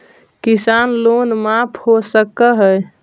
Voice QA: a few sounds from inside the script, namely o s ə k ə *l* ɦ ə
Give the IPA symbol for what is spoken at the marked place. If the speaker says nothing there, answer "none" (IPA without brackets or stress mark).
none